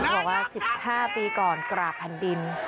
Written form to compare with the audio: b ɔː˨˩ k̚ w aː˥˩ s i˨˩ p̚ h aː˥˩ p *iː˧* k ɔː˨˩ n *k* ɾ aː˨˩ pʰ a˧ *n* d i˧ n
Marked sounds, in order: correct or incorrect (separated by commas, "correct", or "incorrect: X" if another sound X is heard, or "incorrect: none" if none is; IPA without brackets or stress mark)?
correct, correct, correct